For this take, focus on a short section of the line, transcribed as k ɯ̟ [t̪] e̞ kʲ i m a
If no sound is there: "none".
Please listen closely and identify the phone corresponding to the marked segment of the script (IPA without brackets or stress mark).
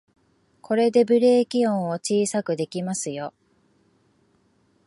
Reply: d̪